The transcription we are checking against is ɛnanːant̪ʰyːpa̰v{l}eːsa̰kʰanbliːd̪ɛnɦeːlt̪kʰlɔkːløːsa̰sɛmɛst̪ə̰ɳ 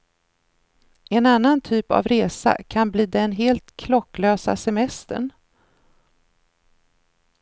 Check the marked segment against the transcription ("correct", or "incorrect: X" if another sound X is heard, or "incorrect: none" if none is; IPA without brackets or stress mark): incorrect: ɾ